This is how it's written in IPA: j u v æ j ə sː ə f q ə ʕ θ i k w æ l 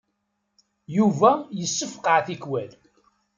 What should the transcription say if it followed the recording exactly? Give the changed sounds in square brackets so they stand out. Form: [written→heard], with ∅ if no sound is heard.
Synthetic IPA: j u v æ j ə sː ə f q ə ʕ θ i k w æ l